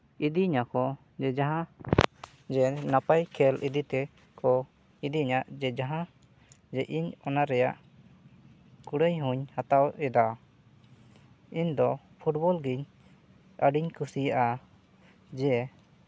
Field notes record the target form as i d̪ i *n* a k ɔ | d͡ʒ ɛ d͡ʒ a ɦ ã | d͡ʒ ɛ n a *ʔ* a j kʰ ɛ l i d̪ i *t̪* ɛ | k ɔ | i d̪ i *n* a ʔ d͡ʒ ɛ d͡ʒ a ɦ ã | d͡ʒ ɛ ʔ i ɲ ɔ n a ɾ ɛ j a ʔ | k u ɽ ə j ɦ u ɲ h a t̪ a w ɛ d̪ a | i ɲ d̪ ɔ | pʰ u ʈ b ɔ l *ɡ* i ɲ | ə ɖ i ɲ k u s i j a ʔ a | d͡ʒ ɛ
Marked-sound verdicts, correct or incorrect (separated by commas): incorrect, incorrect, correct, incorrect, correct